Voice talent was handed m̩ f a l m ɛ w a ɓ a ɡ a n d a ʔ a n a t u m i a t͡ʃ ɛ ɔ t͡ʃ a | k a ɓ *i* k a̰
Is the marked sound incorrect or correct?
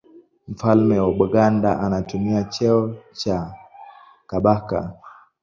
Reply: incorrect